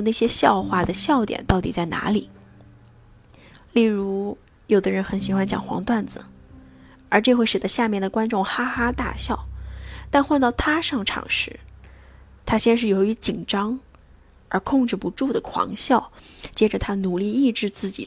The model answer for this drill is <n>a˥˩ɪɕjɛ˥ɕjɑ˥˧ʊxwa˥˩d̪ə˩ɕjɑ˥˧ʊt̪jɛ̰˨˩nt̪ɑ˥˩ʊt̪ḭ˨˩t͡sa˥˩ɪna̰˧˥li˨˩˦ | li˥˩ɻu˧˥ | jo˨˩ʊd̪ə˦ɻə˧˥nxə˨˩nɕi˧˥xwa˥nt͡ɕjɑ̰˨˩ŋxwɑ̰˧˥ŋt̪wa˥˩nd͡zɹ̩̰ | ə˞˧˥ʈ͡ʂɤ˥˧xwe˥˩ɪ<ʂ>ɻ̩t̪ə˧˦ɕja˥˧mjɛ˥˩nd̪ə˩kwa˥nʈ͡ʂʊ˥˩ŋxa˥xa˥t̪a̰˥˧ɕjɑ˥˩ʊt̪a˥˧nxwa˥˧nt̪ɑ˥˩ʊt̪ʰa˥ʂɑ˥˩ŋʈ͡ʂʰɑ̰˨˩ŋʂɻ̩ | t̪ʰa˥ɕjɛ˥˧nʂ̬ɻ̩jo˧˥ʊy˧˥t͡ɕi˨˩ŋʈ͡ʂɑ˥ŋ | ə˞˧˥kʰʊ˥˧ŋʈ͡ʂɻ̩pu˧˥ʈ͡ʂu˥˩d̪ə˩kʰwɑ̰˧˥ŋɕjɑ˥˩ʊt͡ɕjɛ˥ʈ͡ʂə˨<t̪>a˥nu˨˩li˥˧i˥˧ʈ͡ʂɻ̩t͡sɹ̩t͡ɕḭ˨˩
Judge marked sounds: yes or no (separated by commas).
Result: yes, yes, no